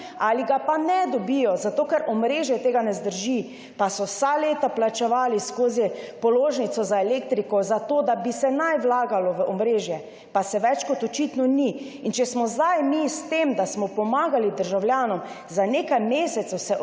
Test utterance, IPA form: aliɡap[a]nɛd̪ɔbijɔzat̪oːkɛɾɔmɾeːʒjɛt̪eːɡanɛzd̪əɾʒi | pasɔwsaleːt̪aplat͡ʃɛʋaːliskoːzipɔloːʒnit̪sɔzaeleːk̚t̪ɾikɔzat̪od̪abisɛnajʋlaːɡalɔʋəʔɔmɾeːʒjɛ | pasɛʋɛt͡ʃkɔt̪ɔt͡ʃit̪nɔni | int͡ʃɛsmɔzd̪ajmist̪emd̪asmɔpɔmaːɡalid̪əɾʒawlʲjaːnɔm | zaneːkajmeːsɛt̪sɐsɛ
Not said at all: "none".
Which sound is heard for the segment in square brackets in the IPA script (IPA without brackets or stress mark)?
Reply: a